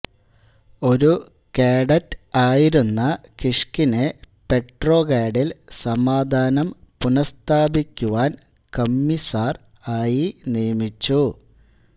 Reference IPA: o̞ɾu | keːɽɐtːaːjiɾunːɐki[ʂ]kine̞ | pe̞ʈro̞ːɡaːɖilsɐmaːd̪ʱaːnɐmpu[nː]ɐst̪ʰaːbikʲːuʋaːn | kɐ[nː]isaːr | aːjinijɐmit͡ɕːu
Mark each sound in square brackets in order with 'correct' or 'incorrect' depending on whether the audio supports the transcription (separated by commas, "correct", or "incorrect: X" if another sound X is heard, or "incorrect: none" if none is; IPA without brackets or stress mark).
correct, incorrect: n, incorrect: mː